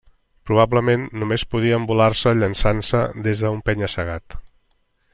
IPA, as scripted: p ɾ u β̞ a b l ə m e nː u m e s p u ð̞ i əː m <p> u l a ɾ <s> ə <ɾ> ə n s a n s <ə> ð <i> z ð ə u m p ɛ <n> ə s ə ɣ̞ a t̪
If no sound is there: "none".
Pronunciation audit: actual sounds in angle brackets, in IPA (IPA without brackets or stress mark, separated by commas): b, s, ʎ, ə, e, ɲ